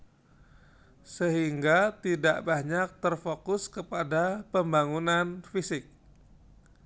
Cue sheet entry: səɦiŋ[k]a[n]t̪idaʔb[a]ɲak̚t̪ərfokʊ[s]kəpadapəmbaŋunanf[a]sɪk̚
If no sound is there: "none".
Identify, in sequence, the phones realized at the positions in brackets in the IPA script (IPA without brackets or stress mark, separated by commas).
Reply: ɡ, none, a, s, i